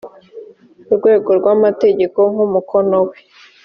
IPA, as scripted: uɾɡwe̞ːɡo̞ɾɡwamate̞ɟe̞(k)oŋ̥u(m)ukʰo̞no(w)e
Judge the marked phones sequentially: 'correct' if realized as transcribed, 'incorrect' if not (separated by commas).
correct, correct, correct